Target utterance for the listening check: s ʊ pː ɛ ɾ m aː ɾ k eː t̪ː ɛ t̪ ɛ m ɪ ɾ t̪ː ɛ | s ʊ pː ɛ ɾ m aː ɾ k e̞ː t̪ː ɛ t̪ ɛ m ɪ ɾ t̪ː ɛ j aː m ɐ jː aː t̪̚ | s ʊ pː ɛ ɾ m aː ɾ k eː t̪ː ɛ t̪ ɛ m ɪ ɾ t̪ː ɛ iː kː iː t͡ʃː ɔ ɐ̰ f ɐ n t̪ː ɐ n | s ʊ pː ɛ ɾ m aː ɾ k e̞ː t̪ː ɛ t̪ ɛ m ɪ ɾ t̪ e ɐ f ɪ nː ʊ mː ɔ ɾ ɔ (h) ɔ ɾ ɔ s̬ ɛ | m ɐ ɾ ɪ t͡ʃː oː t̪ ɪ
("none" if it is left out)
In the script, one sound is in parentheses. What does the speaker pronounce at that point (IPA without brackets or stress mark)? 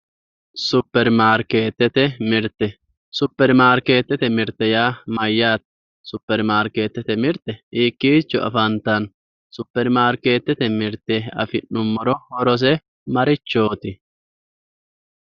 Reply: h